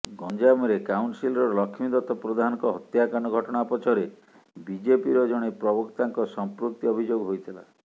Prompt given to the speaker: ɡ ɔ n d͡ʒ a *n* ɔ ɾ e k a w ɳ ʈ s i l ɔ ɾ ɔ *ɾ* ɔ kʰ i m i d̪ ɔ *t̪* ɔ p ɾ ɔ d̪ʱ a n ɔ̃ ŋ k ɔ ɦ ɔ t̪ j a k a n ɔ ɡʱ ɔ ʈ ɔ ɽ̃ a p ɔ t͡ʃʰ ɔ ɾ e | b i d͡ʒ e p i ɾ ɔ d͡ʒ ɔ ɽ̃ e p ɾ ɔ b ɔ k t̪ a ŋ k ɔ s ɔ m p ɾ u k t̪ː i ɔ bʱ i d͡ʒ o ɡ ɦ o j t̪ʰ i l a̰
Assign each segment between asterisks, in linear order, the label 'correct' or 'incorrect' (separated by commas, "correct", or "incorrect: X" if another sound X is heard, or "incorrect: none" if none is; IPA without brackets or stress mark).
incorrect: m, incorrect: l, correct